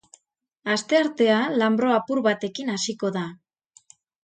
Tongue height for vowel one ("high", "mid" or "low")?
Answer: low